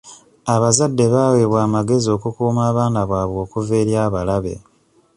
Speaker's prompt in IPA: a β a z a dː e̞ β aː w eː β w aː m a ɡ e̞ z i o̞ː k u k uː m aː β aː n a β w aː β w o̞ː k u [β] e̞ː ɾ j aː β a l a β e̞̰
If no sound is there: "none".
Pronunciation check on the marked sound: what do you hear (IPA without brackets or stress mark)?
v